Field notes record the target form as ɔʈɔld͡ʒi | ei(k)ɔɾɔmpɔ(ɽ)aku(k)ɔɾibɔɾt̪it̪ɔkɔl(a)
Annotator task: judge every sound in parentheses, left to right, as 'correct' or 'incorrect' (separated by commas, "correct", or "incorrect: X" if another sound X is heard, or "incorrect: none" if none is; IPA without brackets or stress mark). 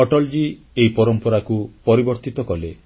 incorrect: p, incorrect: ɾ, incorrect: p, incorrect: e